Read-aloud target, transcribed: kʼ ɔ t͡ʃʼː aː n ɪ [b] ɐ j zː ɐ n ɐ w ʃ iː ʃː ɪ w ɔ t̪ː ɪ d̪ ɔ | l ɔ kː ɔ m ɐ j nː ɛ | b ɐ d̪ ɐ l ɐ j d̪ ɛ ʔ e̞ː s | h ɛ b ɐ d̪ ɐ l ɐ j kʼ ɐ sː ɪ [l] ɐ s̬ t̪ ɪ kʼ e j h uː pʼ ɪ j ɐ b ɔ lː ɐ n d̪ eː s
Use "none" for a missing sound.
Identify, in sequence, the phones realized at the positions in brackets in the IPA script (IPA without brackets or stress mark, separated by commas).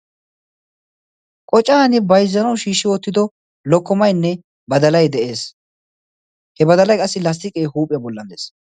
b, l